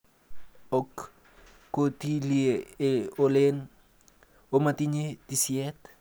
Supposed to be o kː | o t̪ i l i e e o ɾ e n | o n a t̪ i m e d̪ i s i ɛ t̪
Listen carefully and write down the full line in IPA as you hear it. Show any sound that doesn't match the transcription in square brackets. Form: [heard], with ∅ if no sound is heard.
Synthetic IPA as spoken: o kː | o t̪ i l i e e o [l] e n | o [m] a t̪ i [ɲ] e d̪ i s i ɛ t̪